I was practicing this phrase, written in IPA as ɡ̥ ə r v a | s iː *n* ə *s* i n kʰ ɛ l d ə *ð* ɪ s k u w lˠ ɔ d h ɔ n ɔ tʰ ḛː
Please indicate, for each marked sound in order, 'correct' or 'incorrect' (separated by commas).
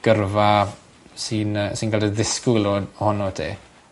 correct, correct, correct